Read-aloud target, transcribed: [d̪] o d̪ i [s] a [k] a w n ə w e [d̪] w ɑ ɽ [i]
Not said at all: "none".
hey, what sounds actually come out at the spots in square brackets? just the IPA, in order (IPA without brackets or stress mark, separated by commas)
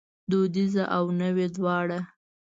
d̪, z, ʔ, d̪, a